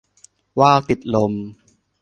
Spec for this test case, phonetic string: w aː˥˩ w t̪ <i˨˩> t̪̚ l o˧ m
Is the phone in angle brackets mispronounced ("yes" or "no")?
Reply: no